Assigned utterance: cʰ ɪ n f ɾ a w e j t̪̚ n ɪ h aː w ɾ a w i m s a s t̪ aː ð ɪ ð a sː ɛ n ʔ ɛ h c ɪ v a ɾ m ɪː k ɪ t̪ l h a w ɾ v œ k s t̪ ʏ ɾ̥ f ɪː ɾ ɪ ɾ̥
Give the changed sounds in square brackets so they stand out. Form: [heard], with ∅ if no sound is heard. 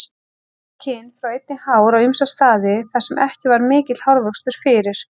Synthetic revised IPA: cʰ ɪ n f ɾ a w e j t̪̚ n ɪ h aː w ɾ a w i m s a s t̪ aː ð ɪ [θ] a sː ɛ [m] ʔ ɛ h c ɪ v a ɾ m ɪː [c] ɪ t̪ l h a w ɾ v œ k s t̪ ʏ ɾ̥ f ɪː ɾ ɪ ɾ̥